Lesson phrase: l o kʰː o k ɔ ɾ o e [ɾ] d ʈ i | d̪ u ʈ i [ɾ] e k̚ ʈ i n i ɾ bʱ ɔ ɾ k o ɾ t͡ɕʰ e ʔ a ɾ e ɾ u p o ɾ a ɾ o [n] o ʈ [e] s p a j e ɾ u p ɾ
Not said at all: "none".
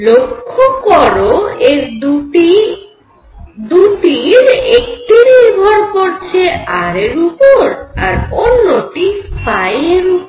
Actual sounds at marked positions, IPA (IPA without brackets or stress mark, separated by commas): ɾ, ɾ, nː, i